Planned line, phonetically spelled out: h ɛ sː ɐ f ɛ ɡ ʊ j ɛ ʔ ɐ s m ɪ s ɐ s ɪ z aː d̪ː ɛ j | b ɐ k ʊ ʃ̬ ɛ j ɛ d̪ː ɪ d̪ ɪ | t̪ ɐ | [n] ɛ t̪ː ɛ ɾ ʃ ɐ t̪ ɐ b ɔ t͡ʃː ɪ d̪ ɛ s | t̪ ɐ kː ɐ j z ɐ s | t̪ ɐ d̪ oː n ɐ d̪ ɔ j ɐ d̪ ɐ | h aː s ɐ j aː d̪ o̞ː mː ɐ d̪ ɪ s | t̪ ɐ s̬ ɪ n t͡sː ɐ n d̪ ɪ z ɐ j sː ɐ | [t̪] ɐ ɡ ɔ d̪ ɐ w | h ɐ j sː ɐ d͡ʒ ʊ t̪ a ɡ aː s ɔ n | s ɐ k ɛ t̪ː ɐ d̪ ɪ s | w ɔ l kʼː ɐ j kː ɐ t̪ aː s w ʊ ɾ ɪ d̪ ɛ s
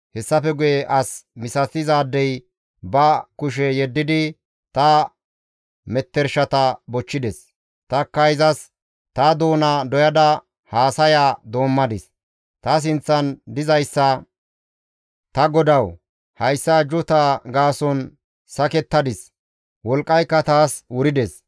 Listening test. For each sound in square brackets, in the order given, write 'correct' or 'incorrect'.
incorrect, correct

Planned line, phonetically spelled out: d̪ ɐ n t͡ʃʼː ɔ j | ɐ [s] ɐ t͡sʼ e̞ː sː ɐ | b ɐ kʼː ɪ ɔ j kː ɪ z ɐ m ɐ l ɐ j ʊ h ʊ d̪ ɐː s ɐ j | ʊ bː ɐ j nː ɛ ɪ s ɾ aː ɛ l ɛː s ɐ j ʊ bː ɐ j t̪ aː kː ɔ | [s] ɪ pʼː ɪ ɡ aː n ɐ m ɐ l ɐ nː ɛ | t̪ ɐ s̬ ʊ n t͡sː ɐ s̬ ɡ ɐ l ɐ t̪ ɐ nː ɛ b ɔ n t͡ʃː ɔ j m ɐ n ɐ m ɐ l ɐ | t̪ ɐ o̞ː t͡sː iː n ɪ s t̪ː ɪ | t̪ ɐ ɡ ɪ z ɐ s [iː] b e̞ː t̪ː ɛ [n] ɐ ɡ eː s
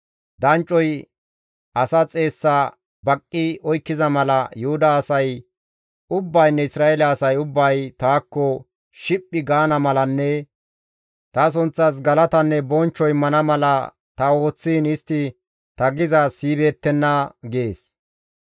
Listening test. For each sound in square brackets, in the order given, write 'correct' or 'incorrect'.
correct, incorrect, correct, incorrect

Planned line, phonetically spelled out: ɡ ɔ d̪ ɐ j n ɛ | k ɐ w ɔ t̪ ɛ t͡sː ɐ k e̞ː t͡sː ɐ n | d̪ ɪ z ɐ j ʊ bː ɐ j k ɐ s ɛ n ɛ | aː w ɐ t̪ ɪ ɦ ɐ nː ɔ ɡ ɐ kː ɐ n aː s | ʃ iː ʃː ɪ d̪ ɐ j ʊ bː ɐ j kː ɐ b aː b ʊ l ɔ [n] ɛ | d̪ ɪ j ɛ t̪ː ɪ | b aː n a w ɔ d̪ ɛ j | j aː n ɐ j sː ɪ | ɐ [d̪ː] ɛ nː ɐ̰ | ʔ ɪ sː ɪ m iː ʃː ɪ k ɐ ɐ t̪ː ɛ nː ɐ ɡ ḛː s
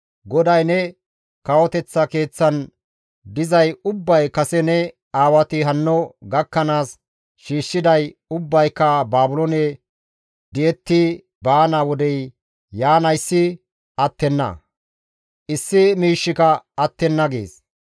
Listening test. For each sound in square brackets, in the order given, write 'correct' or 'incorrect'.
correct, incorrect

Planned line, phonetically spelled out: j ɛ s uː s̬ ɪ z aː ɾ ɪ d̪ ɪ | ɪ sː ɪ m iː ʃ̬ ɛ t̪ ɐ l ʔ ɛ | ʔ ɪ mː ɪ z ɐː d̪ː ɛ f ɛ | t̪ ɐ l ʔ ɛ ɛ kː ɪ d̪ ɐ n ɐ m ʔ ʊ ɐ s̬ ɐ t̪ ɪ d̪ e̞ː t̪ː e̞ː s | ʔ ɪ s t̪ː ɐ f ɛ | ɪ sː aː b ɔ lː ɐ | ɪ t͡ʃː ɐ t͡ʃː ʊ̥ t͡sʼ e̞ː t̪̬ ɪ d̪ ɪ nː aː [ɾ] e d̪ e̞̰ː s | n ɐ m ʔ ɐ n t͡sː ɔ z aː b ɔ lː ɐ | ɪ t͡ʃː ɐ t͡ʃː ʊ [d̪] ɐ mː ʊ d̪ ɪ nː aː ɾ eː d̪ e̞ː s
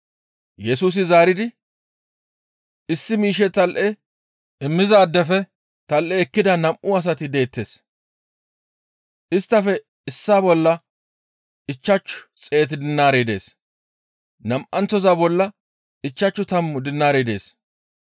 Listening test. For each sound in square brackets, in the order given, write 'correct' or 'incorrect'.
correct, incorrect

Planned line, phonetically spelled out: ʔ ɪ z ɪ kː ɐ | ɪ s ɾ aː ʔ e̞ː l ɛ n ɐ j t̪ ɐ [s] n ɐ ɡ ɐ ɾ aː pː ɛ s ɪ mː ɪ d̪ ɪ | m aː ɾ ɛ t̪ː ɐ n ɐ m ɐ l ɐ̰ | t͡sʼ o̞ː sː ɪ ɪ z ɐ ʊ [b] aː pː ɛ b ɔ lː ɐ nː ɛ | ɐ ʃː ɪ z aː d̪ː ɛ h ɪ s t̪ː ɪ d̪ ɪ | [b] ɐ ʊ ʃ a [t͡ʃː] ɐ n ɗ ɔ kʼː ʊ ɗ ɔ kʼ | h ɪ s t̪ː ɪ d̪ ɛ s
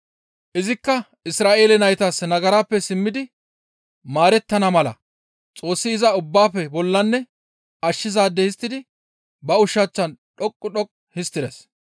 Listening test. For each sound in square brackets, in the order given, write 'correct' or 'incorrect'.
correct, incorrect, correct, correct

